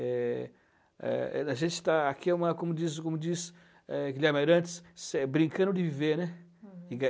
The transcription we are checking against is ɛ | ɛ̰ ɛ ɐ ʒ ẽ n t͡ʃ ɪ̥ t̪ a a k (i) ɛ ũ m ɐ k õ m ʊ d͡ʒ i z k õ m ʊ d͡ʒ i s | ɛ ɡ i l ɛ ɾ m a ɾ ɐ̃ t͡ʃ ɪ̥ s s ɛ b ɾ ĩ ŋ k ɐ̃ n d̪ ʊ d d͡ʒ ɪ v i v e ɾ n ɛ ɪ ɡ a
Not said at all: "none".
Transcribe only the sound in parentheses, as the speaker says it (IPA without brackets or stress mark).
i